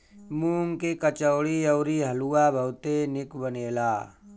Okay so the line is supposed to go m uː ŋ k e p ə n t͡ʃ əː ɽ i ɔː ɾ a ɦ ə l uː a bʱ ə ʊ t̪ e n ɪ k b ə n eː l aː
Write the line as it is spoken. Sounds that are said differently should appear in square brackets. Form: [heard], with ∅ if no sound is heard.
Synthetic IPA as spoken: m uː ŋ k e [k] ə [∅] t͡ʃ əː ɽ i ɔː ɾ [i] ɦ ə l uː a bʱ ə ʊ t̪ e n ɪ k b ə n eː l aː